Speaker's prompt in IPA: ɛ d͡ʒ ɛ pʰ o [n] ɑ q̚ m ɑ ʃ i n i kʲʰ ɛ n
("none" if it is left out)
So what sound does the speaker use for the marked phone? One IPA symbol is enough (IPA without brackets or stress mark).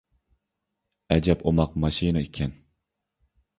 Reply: m